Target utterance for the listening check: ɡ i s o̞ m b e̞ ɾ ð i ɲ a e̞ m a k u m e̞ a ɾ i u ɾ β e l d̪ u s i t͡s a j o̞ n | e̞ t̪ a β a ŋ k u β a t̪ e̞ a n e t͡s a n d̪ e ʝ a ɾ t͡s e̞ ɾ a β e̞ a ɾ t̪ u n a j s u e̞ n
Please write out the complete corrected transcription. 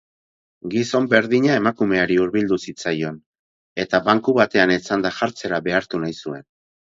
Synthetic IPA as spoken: ɡ i s o̞ m b e̞ ɾ ð i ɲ a e̞ m a k u m e̞ a ɾ i u ɾ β i l d̪ u s i t͡s a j o̞ n | e̞ t̪ a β a ŋ k u β a t̪ e̞ a n e t͡s a n d̪ a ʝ a ɾ t͡s e̞ ɾ a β e̞ a ɾ t̪ u n a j s u e̞ n